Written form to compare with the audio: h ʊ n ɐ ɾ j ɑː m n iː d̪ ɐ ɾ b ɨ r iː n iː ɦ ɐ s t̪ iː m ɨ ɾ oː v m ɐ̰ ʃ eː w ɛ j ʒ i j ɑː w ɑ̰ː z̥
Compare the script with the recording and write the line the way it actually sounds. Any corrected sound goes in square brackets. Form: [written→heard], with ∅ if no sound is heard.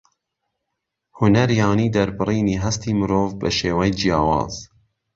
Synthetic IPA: h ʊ n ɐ ɾ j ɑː [m→∅] n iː d̪ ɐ ɾ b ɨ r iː n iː ɦ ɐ s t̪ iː m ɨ ɾ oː v [m→b] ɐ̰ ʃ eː w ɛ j [ʒ→d͡ʒ] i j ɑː w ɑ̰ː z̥